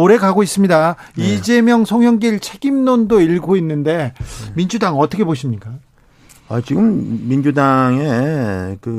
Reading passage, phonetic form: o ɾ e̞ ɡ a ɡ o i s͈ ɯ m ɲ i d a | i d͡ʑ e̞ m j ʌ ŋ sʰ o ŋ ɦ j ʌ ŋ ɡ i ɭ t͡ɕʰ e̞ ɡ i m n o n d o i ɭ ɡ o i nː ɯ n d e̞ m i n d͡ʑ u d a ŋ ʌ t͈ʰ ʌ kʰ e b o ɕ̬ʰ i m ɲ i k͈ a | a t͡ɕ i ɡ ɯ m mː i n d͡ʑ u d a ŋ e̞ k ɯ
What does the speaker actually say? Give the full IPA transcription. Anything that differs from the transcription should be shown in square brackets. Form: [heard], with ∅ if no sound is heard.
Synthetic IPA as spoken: o ɾ e̞ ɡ a ɡ o i s͈ ɯ m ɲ i d a | i d͡ʑ e̞ m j ʌ ŋ sʰ o ŋ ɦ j ʌ ŋ ɡ i ɭ t͡ɕʰ e̞ ɡ i m n o n d o i ɭ ɡ o i nː ɯ n d e̞ m i n d͡ʑ u d a ŋ ʌ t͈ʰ ʌ kʰ e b o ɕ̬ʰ i m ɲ i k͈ a | a t͡ɕ i ɡ ɯ m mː i n d͡ʑ u d a ŋ e̞ k ɯ